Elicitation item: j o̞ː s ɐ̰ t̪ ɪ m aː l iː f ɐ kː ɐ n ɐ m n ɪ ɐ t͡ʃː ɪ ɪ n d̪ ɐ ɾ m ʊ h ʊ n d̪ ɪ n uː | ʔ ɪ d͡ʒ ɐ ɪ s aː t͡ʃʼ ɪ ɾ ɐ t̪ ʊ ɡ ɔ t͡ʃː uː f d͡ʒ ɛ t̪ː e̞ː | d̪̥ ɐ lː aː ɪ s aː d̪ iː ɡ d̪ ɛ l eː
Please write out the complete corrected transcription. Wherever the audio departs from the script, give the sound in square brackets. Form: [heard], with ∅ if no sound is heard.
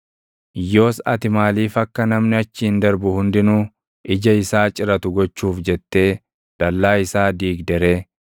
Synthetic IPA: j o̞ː s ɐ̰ t̪ ɪ m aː l iː f ɐ kː ɐ n ɐ m n ɪ ɐ t͡ʃː ɪ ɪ n d̪ ɐ ɾ [b] ʊ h ʊ n d̪ ɪ n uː | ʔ ɪ d͡ʒ ɐ ɪ s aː t͡ʃʼ ɪ ɾ ɐ t̪ ʊ ɡ ɔ t͡ʃː uː f d͡ʒ ɛ t̪ː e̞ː | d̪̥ ɐ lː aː ɪ s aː d̪ iː ɡ d̪ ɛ [ɾ] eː